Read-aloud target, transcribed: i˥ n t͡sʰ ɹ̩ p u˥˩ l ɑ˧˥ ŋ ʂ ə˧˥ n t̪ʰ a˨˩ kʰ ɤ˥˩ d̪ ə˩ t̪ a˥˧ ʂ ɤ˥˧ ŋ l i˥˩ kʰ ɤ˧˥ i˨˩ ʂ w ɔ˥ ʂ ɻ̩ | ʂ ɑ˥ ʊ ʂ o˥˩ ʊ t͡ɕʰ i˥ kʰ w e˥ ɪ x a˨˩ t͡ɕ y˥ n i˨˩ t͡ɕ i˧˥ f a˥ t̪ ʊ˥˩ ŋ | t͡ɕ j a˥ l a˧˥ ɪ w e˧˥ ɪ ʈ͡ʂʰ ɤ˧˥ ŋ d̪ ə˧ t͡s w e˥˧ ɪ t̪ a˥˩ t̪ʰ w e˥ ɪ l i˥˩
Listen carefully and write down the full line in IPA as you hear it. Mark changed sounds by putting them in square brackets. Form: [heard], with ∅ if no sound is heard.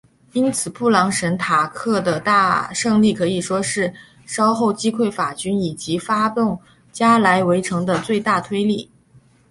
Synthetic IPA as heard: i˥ n t͡sʰ ɹ̩ p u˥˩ l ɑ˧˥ ŋ ʂ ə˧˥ n t̪ʰ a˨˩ kʰ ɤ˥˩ d̪ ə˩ t̪ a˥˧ ʂ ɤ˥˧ ŋ l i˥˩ kʰ ɤ˧˥ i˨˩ ʂ w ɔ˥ ʂ ɻ̩ | ʂ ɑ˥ ʊ [x] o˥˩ ʊ [t͡ɕ] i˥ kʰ w [e˥˩] ɪ [f] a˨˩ t͡ɕ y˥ n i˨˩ t͡ɕ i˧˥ f a˥ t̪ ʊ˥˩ ŋ | t͡ɕ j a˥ l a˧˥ ɪ w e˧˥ ɪ ʈ͡ʂʰ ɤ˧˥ ŋ d̪ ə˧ t͡s w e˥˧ ɪ t̪ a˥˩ t̪ʰ w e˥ ɪ l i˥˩